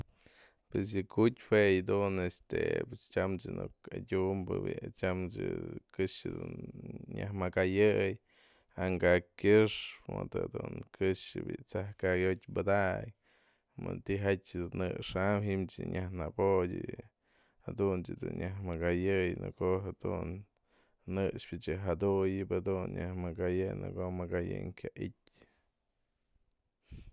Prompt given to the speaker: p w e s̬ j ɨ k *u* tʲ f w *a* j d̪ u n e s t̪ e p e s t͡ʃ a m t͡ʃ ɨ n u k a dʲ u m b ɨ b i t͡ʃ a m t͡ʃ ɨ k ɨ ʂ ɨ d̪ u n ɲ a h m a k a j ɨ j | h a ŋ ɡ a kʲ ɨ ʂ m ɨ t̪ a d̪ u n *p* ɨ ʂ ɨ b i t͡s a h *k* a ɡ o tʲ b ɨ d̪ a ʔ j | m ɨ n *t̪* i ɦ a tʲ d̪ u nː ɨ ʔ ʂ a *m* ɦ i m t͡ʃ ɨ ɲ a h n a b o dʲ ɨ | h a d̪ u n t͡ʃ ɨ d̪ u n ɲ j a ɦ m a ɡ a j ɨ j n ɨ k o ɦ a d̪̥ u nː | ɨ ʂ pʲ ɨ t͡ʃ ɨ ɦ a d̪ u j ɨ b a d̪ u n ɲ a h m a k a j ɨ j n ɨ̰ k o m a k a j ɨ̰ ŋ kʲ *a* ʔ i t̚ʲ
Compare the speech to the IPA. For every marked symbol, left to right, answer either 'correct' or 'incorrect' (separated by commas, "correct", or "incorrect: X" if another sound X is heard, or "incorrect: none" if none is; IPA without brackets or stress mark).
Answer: correct, incorrect: e, incorrect: k, correct, correct, correct, correct